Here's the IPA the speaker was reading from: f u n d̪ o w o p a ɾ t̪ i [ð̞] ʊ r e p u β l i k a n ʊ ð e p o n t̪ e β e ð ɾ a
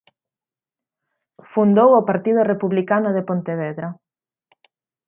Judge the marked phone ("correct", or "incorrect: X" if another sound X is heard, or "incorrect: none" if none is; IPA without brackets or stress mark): correct